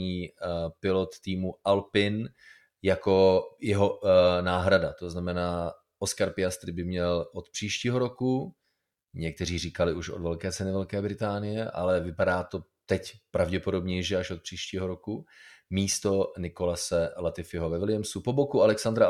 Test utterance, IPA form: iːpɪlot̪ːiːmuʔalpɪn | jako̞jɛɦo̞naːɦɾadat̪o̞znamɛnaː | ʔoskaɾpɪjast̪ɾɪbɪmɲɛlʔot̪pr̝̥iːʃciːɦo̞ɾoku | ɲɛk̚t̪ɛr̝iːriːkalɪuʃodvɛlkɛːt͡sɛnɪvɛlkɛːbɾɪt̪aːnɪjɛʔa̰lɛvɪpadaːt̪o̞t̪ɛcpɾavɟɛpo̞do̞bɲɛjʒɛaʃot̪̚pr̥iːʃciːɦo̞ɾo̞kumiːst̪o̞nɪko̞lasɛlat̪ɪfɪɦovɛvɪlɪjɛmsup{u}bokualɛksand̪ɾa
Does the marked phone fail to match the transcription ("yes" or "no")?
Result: yes